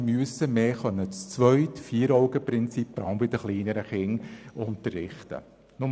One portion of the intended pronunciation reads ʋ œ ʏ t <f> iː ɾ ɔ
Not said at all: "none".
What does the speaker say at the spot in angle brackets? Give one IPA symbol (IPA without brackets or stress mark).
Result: f